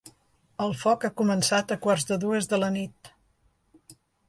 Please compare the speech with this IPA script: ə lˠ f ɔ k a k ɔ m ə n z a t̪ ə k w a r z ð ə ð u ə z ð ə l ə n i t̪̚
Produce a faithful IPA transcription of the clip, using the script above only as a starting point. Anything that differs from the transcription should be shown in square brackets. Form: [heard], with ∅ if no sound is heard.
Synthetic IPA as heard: ə lˠ f ɔ k a k [u] m ə n [s] a t̪ ə k w a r z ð ə ð u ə z ð ə l ə n i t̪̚